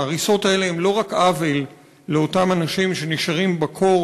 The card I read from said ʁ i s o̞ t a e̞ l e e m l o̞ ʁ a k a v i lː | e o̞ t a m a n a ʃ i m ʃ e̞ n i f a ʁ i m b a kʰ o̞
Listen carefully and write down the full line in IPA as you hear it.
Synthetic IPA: ʁ i s o̞ t a e̞ l e e m l o̞ ʁ a k a v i lː | e o̞ t a m a n a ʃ i m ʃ e̞ n i ʃ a ʁ i m b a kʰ o̞